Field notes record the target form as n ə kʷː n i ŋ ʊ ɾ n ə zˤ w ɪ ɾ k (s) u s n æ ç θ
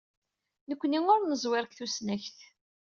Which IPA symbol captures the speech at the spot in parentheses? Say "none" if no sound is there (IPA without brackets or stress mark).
θ